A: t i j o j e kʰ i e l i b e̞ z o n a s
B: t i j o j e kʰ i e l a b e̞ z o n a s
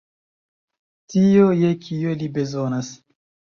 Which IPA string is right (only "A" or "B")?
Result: A